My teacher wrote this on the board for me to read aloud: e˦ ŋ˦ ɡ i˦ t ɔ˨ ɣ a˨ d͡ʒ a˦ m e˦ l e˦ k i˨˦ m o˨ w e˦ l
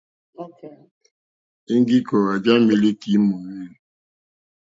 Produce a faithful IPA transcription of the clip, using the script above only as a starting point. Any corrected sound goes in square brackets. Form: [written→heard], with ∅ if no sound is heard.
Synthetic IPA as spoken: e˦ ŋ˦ ɡ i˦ [t→k] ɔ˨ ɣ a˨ d͡ʒ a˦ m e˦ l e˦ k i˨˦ m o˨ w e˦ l